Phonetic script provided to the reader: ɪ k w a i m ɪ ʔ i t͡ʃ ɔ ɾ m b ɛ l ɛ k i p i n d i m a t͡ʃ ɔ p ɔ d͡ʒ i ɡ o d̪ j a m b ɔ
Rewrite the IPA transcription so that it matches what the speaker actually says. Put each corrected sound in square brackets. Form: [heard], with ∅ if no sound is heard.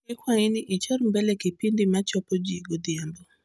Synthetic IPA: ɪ k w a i [n] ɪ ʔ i t͡ʃ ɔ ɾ m b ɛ l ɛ k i p i n d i m a t͡ʃ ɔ p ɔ d͡ʒ i ɡ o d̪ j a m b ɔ